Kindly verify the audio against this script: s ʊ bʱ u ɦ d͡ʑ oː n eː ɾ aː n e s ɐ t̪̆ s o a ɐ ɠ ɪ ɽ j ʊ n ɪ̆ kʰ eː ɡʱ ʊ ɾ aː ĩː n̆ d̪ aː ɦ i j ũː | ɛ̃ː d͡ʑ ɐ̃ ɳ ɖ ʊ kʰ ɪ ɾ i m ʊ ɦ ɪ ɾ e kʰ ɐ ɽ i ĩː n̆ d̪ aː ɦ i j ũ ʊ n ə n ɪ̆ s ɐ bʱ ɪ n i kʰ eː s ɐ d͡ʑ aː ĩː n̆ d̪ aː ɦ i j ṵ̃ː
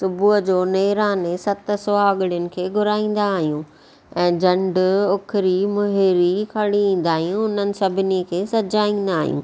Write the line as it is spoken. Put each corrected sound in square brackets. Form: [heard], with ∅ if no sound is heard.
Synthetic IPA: s ʊ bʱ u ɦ d͡ʑ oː n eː ɾ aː n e s ɐ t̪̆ s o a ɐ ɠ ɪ ɽ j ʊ n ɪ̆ kʰ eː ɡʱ ʊ ɾ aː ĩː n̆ d̪ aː ɦ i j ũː | ɛ̃ː d͡ʑ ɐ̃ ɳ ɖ ʊ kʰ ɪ ɾ i m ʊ ɦ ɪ ɾ [i] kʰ ɐ ɽ i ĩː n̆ d̪ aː ɦ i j ũ ʊ n ə n ɪ̆ s ɐ bʱ ɪ n i kʰ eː s ɐ d͡ʑ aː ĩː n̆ d̪ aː ɦ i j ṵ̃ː

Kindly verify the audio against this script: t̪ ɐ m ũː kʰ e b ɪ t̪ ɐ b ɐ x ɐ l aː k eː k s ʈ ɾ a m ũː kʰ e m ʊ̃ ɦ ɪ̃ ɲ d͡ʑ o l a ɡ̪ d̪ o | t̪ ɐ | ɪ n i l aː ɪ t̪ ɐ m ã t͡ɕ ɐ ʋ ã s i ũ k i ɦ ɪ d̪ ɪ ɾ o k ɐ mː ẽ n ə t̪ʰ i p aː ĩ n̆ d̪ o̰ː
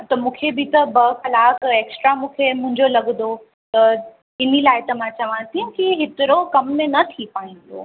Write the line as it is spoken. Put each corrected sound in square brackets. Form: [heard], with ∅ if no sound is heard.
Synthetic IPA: t̪ ɐ m ũː kʰ e b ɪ t̪ ɐ b ɐ x ɐ l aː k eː k s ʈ ɾ a m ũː kʰ e m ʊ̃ ɦ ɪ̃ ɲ d͡ʑ o l [ɐ] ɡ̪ d̪ o | t̪ ɐ | ɪ n i l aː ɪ t̪ ɐ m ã t͡ɕ ɐ ʋ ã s i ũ k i ɦ ɪ [t̪] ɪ ɾ o k ɐ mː ẽ n [ɐ] t̪ʰ i p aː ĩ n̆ d̪ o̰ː

